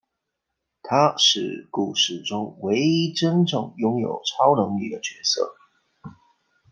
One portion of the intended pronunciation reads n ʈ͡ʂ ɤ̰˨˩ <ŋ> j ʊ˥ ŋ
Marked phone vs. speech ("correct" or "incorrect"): correct